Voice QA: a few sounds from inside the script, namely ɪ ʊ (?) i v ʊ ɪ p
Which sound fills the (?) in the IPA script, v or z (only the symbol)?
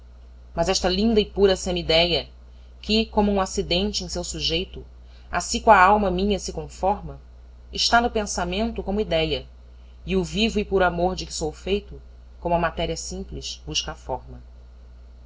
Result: v